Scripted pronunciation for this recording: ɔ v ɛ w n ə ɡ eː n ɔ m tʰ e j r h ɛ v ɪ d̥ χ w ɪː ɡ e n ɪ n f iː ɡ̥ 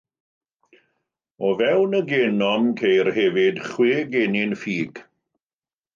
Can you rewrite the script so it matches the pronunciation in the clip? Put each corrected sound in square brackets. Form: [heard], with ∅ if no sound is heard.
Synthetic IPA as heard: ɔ v ɛ w n ə ɡ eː n ɔ m [kʰ] e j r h ɛ v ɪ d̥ χ w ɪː ɡ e n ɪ n f iː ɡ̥